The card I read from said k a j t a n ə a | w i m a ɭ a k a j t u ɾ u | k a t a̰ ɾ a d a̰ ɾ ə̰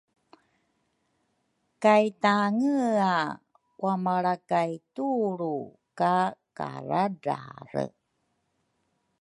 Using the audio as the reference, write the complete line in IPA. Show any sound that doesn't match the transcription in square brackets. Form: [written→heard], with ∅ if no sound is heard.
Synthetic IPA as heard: k a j t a [n→ŋ] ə a | w [i→a] m a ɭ a k a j t u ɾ u | k a [t→k] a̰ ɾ a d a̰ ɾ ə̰